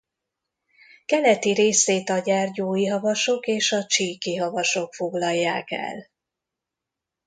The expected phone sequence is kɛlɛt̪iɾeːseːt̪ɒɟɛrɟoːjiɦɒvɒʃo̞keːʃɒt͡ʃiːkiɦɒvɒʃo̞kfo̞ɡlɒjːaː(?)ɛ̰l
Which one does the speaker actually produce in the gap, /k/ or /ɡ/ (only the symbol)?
k